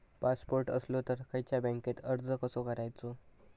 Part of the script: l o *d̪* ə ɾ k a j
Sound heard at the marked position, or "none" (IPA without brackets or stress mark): t̪